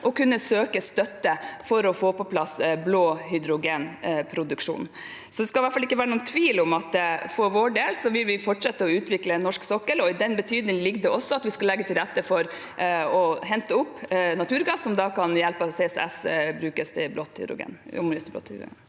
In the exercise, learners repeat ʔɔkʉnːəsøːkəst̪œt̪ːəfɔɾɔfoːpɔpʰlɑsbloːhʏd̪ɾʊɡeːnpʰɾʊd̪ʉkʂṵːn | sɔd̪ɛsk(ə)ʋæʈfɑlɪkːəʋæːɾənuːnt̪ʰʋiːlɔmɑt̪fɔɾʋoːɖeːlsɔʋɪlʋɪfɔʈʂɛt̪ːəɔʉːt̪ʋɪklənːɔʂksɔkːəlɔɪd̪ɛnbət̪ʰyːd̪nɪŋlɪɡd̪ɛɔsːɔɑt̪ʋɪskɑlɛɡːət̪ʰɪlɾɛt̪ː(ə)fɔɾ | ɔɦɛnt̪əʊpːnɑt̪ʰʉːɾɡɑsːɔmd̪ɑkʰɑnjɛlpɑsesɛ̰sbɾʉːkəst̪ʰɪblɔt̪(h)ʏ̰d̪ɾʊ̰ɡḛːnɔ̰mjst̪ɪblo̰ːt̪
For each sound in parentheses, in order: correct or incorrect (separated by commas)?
incorrect, correct, correct